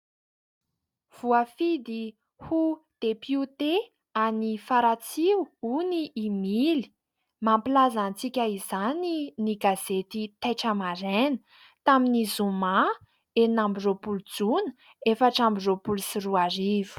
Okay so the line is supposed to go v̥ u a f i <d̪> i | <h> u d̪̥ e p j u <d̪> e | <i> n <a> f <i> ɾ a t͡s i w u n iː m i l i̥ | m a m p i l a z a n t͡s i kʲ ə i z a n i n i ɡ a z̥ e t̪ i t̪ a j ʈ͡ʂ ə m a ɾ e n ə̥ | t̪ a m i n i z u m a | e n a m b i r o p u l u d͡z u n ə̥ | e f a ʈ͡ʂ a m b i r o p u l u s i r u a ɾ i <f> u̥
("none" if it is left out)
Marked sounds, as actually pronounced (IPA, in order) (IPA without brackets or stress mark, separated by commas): d̪, h, t̪, a, i, a, v